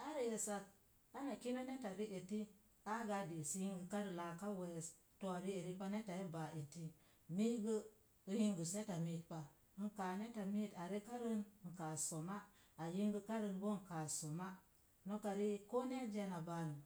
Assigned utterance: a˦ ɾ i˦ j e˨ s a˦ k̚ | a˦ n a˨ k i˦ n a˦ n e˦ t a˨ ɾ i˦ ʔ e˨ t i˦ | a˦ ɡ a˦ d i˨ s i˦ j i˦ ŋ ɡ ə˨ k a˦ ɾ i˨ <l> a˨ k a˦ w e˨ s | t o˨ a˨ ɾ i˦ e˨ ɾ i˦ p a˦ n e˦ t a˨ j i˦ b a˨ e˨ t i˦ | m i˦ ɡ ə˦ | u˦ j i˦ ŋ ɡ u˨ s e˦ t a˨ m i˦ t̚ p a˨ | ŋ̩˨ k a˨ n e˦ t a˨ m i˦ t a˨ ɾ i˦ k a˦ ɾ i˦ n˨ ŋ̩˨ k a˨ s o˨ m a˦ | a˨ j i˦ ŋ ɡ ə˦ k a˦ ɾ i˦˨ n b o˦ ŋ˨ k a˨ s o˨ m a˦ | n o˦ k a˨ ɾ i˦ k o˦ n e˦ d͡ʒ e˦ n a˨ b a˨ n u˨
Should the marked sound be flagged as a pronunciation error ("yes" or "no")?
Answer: no